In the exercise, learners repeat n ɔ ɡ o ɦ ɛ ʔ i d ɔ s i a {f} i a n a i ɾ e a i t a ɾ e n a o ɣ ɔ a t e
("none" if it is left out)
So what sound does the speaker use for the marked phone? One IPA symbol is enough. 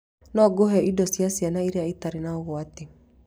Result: s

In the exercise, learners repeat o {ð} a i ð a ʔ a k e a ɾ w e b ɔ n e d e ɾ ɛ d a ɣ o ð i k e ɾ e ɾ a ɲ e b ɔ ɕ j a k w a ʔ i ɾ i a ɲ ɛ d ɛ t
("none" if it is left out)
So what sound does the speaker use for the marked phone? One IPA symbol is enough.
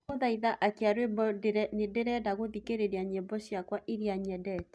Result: ð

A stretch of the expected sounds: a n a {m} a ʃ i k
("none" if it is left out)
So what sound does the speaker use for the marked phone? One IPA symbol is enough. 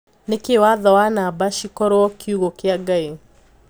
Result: b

